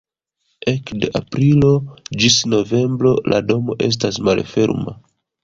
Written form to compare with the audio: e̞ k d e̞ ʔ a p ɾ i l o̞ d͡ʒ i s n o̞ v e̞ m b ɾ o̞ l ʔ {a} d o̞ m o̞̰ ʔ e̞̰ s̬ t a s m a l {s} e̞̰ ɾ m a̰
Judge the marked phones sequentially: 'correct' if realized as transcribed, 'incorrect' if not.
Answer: correct, incorrect: f

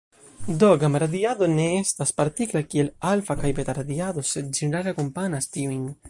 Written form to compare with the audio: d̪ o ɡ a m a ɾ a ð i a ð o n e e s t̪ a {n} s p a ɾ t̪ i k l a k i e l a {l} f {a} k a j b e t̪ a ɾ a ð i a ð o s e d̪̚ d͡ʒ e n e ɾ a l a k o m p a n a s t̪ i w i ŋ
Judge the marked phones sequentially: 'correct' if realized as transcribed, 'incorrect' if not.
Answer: incorrect: none, correct, correct

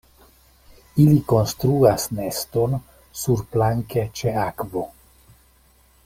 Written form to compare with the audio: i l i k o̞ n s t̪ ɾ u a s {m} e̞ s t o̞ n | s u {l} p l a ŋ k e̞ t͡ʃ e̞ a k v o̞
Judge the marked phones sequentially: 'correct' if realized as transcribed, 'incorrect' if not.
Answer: incorrect: n, incorrect: ɾ

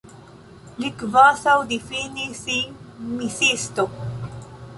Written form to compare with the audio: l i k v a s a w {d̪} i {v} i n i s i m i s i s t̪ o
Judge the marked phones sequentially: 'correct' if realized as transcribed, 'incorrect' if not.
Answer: correct, incorrect: f

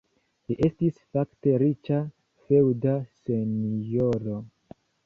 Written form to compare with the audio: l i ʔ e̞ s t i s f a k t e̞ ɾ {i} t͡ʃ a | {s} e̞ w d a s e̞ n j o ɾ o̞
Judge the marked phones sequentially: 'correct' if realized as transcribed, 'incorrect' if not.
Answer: correct, incorrect: f

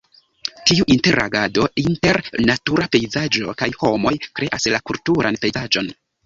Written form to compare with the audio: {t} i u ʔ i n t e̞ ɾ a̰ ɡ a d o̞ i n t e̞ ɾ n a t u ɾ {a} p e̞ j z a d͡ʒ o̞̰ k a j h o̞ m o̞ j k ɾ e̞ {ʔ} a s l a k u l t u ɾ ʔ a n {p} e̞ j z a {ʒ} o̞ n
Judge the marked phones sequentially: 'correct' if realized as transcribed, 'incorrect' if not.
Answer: correct, correct, correct, correct, incorrect: d͡ʒ

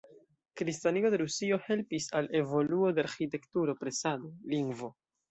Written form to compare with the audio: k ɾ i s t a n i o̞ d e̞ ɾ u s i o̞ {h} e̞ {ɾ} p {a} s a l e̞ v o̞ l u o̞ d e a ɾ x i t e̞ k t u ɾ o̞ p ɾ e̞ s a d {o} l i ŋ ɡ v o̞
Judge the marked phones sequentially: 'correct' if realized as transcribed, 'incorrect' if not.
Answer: correct, incorrect: l, incorrect: i, correct

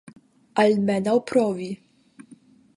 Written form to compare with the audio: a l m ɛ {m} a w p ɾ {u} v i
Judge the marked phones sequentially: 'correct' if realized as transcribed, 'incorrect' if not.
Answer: incorrect: n, incorrect: ɔ

